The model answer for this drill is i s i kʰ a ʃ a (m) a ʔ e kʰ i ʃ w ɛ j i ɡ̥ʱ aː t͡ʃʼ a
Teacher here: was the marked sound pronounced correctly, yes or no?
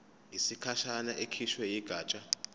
no